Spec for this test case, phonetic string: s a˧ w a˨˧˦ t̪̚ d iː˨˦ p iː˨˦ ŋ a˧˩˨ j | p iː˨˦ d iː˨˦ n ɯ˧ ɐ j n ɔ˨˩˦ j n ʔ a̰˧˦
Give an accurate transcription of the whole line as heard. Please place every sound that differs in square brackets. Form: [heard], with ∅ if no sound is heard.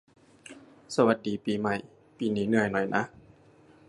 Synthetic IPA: s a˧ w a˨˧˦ t̪̚ d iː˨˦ p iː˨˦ [m] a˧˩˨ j | p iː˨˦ [n] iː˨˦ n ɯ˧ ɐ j n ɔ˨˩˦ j n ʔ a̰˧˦